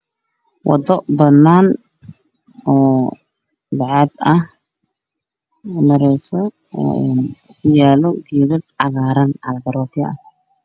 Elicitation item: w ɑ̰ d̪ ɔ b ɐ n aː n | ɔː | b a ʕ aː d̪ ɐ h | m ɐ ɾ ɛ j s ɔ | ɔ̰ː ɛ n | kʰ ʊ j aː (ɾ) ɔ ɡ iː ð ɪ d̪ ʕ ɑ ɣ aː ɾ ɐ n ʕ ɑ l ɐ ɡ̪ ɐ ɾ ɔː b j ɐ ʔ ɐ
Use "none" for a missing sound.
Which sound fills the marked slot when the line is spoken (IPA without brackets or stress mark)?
l